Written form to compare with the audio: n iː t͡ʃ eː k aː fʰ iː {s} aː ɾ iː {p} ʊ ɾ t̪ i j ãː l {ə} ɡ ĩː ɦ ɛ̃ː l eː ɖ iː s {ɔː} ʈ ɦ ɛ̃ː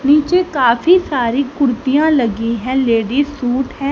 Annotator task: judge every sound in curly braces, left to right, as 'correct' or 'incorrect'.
correct, incorrect: k, correct, incorrect: uː

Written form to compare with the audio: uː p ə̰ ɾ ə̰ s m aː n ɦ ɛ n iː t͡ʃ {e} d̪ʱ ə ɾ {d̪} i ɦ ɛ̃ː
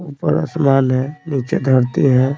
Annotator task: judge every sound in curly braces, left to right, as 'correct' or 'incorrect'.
correct, incorrect: t̪

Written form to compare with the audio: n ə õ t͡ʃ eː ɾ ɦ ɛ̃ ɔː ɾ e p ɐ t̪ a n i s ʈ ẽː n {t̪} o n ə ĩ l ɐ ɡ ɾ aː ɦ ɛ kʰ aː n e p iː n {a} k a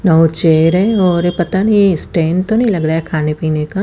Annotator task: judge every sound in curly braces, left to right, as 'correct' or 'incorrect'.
correct, incorrect: e

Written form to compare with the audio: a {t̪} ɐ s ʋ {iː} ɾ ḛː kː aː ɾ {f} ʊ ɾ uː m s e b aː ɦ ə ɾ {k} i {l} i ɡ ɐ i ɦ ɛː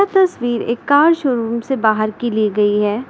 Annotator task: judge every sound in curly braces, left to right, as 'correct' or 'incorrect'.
correct, correct, incorrect: ʃ, correct, correct

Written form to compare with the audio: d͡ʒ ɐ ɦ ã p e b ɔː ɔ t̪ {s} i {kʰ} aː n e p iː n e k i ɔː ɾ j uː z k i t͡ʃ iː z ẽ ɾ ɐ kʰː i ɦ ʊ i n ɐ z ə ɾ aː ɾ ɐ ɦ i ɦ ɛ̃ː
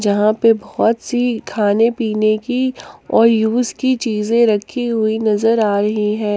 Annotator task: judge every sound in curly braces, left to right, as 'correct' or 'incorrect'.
correct, correct

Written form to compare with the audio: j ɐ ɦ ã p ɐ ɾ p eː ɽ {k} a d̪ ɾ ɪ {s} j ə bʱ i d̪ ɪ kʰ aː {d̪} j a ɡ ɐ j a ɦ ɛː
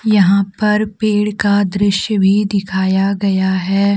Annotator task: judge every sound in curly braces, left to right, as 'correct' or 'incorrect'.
correct, incorrect: ʃ, incorrect: none

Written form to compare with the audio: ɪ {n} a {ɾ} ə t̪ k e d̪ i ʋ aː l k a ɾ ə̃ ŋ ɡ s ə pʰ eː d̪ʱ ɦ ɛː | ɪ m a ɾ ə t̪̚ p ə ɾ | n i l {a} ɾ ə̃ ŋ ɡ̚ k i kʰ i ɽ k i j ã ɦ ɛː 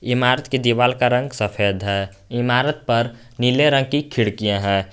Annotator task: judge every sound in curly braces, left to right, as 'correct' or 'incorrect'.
incorrect: m, correct, incorrect: e

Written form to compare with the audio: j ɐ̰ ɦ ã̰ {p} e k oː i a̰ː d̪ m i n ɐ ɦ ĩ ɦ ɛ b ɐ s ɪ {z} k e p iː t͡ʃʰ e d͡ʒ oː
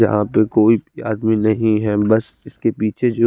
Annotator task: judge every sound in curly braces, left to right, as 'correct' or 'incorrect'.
correct, incorrect: s

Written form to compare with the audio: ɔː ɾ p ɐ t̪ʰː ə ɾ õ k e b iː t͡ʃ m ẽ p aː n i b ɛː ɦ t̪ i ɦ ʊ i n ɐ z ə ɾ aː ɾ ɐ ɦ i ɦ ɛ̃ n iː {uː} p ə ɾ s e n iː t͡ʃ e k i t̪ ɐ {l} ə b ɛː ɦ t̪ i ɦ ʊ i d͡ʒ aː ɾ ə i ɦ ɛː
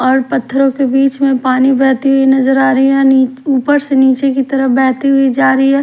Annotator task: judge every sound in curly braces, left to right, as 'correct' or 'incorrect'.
correct, incorrect: ɾ

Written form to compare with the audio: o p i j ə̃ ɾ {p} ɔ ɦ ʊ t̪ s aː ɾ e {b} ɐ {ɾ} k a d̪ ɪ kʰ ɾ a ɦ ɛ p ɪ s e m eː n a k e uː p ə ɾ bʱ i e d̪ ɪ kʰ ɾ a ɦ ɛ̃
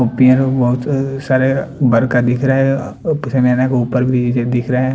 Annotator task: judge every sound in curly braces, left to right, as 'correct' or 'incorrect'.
incorrect: b, correct, correct

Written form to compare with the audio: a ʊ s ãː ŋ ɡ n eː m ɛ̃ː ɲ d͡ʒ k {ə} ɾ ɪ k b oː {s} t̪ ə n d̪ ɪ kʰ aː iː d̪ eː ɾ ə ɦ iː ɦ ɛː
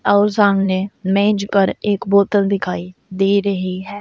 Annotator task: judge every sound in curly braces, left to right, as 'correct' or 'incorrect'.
correct, incorrect: none

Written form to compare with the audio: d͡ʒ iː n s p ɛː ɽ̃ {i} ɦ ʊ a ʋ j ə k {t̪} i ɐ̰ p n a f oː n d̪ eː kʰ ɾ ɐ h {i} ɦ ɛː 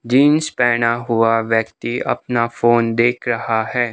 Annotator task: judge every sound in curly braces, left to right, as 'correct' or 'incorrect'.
incorrect: a, correct, incorrect: a

